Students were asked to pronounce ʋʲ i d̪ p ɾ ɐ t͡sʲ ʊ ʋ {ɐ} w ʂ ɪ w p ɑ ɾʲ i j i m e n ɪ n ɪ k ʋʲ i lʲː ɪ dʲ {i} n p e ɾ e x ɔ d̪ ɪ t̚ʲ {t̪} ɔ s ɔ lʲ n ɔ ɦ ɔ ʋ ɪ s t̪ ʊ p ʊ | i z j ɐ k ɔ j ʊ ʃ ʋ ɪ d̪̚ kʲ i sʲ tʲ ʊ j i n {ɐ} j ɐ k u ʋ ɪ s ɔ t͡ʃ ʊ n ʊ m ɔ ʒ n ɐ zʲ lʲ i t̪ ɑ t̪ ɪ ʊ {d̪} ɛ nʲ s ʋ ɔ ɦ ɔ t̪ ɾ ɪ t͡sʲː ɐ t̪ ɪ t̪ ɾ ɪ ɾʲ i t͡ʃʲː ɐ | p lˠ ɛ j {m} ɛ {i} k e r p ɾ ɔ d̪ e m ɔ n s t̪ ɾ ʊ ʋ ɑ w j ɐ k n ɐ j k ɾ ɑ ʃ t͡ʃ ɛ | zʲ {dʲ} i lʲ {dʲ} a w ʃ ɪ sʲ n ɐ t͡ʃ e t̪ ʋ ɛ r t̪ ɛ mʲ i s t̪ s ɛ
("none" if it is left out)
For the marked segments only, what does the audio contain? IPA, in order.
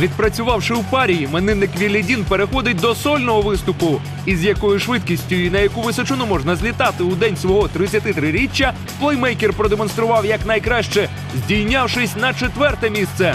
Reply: ɑ, i, d̪, ɐ, d̪, m, j, dʲ, nʲ

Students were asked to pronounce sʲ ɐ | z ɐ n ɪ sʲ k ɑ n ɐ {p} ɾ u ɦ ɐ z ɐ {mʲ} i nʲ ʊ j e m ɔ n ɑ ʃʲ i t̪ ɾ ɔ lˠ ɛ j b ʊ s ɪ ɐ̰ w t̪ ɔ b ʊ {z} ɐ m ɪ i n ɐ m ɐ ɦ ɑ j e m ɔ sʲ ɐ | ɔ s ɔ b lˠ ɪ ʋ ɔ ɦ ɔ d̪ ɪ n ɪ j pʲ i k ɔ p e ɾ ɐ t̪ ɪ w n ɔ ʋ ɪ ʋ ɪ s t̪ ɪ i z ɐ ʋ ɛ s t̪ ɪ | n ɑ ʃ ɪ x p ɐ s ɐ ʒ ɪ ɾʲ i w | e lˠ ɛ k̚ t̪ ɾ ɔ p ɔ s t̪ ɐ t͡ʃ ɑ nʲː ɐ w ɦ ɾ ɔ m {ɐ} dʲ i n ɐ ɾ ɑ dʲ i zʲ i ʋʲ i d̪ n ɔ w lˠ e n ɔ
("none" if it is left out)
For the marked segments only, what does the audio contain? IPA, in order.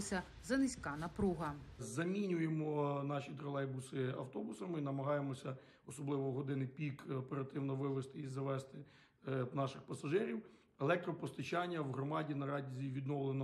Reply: p, mʲ, s, ɑ

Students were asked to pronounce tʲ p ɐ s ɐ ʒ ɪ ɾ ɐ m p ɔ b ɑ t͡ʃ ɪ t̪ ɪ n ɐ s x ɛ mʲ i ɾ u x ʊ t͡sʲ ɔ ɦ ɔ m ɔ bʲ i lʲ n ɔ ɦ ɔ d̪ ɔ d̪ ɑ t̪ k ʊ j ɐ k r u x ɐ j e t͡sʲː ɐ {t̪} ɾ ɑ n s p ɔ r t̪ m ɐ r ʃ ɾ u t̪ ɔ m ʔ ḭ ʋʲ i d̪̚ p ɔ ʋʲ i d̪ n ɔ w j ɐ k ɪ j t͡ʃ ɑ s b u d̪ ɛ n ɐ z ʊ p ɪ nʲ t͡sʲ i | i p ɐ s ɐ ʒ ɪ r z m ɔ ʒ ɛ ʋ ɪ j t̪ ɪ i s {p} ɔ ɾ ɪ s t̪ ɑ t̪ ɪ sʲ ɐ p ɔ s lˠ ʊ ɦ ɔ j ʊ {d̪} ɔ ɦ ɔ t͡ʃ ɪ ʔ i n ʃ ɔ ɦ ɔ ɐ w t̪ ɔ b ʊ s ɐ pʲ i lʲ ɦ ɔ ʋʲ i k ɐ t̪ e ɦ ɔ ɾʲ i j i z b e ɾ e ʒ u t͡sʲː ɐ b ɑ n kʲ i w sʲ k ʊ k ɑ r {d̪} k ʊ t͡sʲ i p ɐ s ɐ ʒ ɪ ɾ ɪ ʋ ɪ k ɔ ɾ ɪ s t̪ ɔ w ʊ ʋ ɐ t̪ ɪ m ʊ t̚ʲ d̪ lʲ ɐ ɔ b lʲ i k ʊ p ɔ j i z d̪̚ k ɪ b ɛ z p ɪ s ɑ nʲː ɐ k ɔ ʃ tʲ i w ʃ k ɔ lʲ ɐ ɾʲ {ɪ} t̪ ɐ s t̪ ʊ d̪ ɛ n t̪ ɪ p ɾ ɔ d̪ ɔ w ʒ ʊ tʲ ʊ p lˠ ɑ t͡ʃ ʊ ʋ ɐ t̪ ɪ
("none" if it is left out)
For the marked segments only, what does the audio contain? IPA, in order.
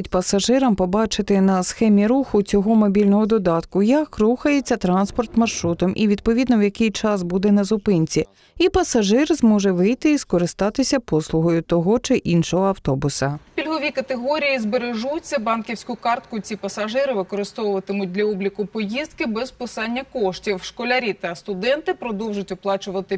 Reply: t̪, k, t̪, t̪, i

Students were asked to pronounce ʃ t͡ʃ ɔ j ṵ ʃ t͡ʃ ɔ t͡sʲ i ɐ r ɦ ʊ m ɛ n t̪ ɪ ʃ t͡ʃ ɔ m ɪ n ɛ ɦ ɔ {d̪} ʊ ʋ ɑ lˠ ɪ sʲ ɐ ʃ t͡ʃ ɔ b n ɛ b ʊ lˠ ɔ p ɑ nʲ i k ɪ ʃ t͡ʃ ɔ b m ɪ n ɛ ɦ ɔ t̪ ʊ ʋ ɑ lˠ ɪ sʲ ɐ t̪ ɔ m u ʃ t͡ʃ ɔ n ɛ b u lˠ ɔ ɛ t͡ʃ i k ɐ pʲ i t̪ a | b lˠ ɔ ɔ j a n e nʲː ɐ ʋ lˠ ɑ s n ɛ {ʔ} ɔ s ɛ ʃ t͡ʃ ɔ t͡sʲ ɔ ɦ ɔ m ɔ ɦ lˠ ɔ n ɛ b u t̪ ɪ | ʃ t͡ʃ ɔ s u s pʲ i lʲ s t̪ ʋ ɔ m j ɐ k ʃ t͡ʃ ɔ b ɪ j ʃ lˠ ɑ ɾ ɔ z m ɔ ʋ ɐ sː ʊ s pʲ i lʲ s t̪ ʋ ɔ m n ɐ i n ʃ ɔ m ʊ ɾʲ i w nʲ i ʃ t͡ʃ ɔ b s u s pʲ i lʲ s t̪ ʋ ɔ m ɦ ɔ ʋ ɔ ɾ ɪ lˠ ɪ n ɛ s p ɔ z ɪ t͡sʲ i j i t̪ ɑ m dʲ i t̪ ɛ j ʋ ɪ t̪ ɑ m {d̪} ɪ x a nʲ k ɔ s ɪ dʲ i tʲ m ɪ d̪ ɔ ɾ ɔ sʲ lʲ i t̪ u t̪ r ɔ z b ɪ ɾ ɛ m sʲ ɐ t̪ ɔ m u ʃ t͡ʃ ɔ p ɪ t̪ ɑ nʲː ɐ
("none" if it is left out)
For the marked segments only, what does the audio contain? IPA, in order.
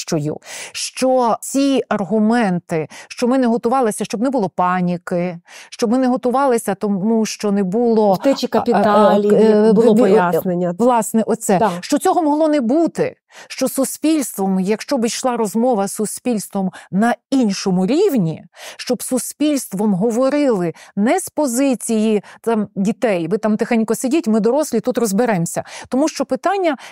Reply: t̪, ʔ, t̪

